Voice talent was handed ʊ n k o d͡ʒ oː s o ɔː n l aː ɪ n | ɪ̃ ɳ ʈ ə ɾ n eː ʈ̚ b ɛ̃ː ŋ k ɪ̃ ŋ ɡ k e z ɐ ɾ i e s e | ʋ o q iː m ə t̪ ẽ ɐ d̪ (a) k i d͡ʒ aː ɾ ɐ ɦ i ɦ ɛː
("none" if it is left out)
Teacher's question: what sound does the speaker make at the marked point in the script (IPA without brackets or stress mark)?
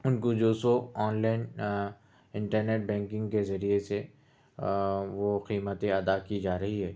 a